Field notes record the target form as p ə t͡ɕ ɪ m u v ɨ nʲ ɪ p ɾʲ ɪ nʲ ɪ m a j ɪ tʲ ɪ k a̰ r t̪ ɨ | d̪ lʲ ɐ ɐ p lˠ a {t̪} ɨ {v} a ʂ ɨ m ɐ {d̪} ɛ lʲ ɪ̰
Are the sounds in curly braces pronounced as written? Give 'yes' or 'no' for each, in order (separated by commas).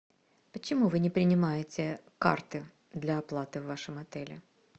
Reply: yes, no, no